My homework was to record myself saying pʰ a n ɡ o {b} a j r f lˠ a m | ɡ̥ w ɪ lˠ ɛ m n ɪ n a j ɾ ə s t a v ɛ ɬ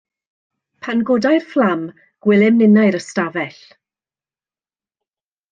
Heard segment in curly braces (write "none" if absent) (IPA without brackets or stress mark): d